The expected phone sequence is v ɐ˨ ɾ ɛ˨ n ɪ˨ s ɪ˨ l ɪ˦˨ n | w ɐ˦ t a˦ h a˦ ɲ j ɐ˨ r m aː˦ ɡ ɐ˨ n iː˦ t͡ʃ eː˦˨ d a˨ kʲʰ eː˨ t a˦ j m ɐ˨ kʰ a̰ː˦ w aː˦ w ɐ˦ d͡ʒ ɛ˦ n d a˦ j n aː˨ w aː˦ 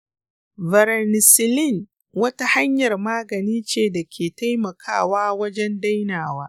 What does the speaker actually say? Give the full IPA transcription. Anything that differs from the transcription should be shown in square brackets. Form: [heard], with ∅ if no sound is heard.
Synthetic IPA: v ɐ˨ ɾ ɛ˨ n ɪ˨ s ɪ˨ l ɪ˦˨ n | w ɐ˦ t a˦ h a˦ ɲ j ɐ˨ r m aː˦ ɡ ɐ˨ n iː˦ t͡ʃ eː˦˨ d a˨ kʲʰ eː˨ t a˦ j m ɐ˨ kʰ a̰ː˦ w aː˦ w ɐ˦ d͡ʒ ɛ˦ n d a˦ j n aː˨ w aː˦